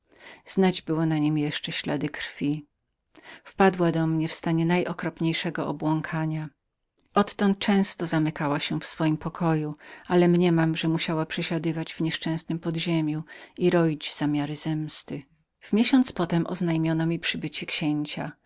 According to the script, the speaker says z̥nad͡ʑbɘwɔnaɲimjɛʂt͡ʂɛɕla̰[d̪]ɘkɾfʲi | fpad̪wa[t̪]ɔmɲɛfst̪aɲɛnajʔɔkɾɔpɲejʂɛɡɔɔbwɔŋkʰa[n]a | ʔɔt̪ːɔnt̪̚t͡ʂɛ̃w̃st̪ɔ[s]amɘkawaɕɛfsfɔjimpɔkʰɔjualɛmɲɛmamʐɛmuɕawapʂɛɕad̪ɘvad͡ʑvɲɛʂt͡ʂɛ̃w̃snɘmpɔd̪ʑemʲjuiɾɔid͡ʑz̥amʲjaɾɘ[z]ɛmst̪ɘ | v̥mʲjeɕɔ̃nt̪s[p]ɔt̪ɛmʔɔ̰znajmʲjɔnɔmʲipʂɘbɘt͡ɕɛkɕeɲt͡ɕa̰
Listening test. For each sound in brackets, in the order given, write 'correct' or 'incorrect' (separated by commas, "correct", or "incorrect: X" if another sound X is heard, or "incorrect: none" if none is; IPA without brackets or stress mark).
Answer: correct, incorrect: d̪, incorrect: ɲ, incorrect: z, correct, correct